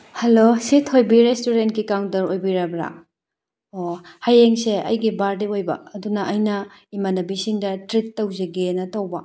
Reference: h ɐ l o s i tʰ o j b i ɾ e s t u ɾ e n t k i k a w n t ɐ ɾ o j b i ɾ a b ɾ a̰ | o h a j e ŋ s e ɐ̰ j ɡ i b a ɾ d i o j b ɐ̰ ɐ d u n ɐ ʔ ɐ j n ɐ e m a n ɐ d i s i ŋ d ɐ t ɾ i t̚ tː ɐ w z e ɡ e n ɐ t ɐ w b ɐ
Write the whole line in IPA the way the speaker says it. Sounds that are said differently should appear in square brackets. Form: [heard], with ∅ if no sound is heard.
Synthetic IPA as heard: h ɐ l o s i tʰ o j b i ɾ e s t u ɾ e n t k i k a w n t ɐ ɾ o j b i ɾ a b ɾ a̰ | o h a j e ŋ s e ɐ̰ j ɡ i b a ɾ d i o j b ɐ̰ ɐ d u n ɐ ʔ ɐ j n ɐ [i] m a n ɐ [b] i s i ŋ d ɐ t ɾ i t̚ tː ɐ w z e ɡ e n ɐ t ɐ w b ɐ